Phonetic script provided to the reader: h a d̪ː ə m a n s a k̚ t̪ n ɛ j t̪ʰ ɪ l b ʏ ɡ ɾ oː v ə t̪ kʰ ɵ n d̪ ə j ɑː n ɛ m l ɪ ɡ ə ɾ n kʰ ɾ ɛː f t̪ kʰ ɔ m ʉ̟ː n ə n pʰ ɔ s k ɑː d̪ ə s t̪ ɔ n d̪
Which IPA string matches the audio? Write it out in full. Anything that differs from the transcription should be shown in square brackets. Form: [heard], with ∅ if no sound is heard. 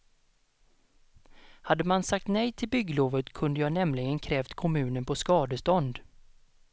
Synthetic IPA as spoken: h a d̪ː ə m a n s a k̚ t̪ n ɛ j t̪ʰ ɪ l b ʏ ɡ [l] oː v ə t̪ kʰ ɵ n d̪ ə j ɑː n ɛ m l ɪ ɡ ə [∅] n kʰ ɾ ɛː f t̪ kʰ ɔ m ʉ̟ː n ə n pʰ ɔ s k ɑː d̪ ə s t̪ ɔ n d̪

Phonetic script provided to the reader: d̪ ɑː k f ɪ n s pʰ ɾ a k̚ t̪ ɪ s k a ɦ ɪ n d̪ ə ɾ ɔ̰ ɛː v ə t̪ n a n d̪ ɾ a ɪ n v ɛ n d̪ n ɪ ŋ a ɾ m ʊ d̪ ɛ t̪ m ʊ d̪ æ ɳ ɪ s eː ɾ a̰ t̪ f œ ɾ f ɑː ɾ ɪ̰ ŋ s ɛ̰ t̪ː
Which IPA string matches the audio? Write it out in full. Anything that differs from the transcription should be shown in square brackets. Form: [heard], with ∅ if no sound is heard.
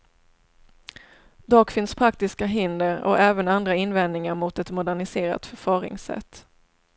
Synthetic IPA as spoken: d̪ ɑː k f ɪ n s pʰ ɾ a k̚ t̪ ɪ s k a ɦ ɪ n d̪ ə ɾ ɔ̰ ɛː v ə [∅] n a n d̪ ɾ a ɪ n v ɛ n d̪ n ɪ ŋ a ɾ m ʊ [t̪] ɛ t̪ m ʊ d̪ æ ɳ ɪ s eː ɾ a̰ t̪ f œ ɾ f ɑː ɾ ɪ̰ ŋ s ɛ̰ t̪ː

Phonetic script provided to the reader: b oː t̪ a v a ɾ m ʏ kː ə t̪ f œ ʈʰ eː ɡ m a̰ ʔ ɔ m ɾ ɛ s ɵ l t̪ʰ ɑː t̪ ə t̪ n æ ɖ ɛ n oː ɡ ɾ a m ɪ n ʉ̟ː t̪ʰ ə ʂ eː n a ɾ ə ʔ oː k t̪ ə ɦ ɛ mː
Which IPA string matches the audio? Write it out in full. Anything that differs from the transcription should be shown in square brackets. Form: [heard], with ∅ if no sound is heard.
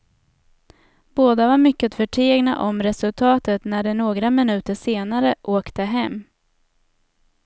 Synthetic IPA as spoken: b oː [d̪] a v a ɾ m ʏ kː ə t̪ f œ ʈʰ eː ɡ [n] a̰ ʔ ɔ m ɾ ɛ s ɵ l t̪ʰ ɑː t̪ ə t̪ n æ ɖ ɛ n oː ɡ ɾ a m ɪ n ʉ̟ː [t̪] ə ʂ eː n a ɾ ə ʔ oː k t̪ ə ɦ ɛ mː

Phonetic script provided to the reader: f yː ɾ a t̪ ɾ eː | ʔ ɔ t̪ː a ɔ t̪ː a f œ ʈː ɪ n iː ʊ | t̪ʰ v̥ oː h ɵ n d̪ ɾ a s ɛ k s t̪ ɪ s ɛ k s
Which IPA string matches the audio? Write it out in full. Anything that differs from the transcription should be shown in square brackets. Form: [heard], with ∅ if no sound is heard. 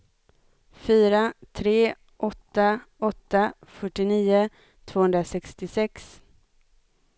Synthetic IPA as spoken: f yː ɾ a [t̪ʰ] ɾ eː | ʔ ɔ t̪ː a ɔ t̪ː a f œ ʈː ɪ n iː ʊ | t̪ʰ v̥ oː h ɵ n d̪ ɾ a s ɛ k s t̪ ɪ s ɛ k s

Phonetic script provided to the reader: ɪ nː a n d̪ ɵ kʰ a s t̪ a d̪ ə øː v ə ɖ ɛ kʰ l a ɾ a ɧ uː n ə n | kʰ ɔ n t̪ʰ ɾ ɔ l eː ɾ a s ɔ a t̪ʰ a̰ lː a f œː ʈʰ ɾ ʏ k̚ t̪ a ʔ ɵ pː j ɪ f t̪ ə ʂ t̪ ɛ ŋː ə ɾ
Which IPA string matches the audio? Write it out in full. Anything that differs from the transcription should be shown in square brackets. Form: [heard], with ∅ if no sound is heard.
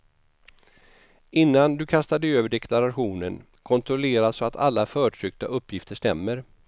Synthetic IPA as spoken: ɪ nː a n d̪ ɵ kʰ a s t̪ a d̪ ə øː v ə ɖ ɛ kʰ l a ɾ a ɧ uː n ə n | kʰ ɔ n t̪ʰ ɾ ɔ l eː ɾ a s ɔ a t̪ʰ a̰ lː a f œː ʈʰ ɾ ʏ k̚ t̪ a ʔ ɵ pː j ɪ f t̪ ə ʂ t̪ ɛ [mː] ə ɾ

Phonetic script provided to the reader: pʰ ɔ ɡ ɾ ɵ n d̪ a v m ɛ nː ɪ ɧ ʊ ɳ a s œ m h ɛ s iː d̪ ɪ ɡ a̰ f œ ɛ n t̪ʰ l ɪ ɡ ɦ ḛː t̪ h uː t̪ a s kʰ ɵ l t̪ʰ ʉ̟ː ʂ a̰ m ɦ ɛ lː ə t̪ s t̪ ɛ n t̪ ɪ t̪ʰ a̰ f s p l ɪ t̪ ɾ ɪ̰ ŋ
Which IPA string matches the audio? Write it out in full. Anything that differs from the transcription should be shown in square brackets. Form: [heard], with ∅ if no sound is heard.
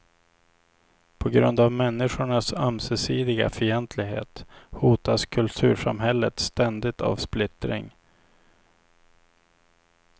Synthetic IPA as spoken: pʰ ɔ ɡ ɾ ɵ n d̪ a v m ɛ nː ɪ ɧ ʊ ɳ a s œ m [s] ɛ s iː d̪ ɪ ɡ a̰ f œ ɛ n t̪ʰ l ɪ ɡ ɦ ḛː t̪ h uː t̪ a s kʰ ɵ l t̪ʰ ʉ̟ː ʂ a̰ m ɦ ɛ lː ə t̪ s t̪ ɛ n [d̪] ɪ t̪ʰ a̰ [v] s p l ɪ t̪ ɾ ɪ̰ ŋ

